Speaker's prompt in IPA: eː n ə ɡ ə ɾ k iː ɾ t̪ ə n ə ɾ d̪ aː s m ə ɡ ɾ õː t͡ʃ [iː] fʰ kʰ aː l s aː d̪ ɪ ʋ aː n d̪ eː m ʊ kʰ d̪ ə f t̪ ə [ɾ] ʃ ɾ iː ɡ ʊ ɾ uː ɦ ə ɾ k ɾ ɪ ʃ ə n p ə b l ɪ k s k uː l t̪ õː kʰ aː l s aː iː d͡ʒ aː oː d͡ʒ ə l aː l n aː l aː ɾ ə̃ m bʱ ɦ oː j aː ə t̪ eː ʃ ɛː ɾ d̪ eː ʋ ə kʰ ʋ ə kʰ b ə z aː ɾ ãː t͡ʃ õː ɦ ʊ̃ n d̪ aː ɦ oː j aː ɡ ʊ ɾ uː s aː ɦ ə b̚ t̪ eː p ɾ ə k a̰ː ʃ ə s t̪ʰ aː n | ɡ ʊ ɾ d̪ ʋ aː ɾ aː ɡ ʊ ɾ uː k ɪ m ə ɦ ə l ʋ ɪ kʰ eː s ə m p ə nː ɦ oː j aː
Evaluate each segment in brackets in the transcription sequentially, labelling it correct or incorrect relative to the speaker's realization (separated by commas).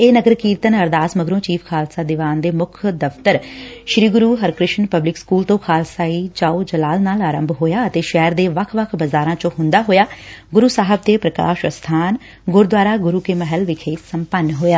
correct, correct